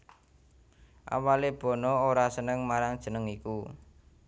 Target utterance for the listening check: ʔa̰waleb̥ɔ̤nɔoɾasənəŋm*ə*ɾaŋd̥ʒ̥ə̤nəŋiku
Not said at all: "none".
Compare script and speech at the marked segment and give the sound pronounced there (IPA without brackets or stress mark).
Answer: a